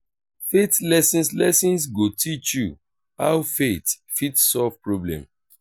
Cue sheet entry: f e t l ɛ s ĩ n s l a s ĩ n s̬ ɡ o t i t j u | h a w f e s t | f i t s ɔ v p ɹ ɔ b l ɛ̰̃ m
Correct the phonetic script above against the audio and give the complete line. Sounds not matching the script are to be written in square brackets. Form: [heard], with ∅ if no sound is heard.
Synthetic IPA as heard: f e t l ɛ s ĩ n s l [ɛ] s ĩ n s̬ ɡ o t i [t͡ʃ] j u | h a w f e [∅] t | f i t s ɔ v p ɹ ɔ b l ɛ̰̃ m